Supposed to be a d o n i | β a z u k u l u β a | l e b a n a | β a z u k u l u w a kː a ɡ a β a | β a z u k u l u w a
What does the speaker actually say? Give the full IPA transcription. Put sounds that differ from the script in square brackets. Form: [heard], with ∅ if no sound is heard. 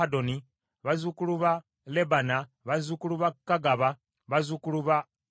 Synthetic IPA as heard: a d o n i | β a z u k u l u β a | l e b a n a | β a z u k u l u [β] a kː a ɡ a β a | β a z u k u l u [β] a